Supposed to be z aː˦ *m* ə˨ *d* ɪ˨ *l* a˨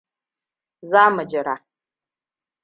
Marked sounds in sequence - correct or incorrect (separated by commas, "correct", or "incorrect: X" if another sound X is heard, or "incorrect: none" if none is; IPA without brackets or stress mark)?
correct, incorrect: d͡ʒ, incorrect: ɾ